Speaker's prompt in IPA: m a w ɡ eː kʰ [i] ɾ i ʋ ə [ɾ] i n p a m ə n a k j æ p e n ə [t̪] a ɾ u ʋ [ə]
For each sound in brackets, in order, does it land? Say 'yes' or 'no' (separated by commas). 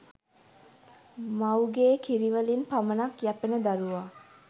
yes, no, no, no